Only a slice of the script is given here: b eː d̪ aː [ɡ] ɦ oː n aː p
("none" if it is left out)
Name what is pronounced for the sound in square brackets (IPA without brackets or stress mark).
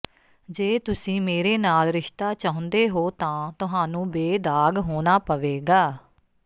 ɡ